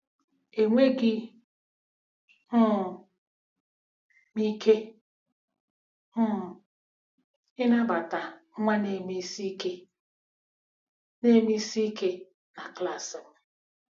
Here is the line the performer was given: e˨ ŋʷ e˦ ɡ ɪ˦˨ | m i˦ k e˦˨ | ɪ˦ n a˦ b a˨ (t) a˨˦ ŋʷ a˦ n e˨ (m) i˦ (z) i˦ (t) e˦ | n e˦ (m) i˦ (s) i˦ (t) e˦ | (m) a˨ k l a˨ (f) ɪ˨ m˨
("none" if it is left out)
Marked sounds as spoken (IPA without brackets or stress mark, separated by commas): t, m, s, k, m, s, k, n, s